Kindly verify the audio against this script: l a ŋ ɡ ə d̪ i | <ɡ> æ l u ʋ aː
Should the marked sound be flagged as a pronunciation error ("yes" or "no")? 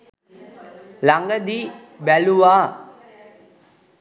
yes